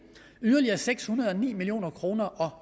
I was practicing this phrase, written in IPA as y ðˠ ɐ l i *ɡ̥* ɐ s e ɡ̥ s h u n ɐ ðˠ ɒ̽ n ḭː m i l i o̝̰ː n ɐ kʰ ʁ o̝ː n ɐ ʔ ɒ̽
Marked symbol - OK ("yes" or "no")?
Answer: no